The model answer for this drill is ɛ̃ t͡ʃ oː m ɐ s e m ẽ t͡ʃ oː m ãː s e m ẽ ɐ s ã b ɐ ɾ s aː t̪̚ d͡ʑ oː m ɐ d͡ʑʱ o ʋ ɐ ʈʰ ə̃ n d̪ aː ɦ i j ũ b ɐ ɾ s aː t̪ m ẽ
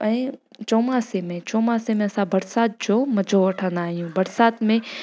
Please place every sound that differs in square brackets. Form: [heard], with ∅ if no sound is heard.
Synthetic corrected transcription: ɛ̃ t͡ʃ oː m [a] s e m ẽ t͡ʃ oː m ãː s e m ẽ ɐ s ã b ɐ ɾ s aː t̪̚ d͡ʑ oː m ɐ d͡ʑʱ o ʋ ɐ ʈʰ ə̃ n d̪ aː ɦ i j ũ b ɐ ɾ s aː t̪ m ẽ